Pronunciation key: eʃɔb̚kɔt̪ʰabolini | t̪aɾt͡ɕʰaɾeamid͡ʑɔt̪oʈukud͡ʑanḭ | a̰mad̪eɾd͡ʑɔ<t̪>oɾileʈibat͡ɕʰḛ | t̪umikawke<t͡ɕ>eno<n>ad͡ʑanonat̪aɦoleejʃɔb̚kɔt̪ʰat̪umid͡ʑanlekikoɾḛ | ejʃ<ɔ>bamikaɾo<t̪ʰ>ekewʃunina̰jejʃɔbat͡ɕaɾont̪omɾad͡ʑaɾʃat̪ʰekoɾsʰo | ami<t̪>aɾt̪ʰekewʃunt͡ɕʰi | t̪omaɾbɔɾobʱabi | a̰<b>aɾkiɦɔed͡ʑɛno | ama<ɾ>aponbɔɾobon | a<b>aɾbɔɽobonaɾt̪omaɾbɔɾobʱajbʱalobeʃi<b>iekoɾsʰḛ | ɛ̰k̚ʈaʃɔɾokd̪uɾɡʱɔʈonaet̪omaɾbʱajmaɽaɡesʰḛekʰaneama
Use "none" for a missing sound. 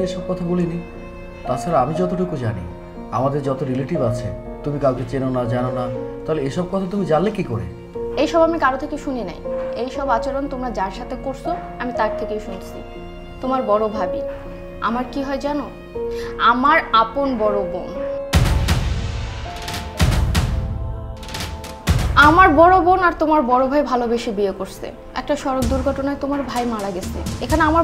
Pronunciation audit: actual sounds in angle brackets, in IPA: t̪, t͡ɕ, n, ɔ, t̪ʰ, t̪, m, ɾ, m, b

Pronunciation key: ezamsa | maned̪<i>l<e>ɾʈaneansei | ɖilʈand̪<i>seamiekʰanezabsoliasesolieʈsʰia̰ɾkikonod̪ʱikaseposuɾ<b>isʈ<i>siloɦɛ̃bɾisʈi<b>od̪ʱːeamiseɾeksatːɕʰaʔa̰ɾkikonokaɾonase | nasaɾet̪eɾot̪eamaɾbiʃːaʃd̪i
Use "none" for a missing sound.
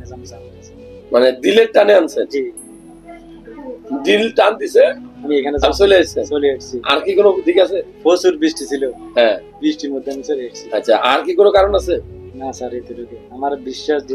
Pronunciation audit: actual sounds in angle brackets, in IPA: i, e, i, b, i, m

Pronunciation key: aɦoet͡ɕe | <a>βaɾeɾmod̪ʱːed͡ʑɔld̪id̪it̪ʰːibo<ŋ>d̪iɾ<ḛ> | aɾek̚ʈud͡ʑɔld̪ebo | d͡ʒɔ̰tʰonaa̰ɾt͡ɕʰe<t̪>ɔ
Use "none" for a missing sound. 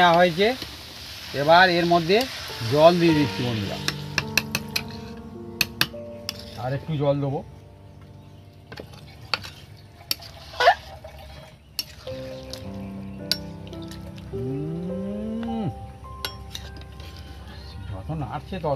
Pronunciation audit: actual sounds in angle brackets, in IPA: e, n, a̰, t̪

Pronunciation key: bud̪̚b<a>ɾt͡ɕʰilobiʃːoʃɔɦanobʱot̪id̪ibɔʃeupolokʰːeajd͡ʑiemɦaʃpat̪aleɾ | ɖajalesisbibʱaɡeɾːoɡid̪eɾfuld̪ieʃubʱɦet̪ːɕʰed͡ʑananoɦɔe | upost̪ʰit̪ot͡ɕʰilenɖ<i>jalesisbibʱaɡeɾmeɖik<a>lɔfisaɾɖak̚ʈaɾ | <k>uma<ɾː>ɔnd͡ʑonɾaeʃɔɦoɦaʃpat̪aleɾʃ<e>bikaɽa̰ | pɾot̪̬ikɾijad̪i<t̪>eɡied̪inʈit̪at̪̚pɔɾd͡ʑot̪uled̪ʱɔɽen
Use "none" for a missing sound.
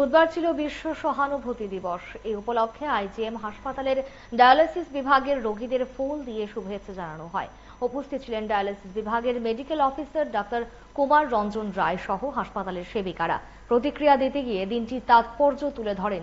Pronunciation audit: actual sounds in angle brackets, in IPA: a, a, e, k, ɾː, e, t̪

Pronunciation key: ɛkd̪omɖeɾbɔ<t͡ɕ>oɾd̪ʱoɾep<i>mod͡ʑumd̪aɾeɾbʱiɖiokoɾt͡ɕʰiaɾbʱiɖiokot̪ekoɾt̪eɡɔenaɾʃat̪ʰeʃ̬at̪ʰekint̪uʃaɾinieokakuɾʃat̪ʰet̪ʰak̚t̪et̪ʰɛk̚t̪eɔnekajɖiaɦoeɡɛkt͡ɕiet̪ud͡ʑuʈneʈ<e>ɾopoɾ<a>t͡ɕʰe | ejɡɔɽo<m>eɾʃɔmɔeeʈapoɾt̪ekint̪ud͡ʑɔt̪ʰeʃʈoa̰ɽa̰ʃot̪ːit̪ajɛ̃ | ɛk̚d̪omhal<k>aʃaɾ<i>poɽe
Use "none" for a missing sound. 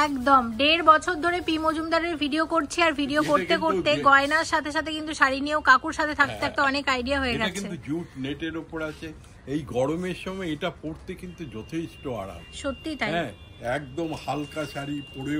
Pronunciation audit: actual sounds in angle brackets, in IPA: t͡ɕʰ, i, e, a, m, k, i

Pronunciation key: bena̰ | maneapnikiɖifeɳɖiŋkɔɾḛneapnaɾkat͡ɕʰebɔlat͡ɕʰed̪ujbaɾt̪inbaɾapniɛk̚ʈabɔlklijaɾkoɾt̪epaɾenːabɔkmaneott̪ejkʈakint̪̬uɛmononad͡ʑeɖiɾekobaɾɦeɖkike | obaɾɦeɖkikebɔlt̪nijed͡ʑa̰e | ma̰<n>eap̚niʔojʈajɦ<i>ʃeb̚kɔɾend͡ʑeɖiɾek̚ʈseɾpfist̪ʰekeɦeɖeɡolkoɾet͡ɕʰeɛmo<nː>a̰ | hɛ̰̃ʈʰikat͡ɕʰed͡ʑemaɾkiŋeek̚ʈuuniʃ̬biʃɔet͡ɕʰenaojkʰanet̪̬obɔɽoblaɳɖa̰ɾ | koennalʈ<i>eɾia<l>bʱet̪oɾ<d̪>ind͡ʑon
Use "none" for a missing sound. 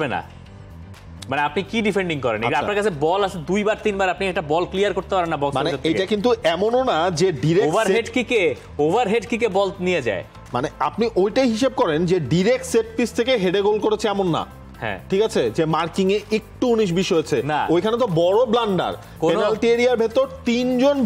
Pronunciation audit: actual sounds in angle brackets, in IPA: n, i, nː, i, ɾ, t̪

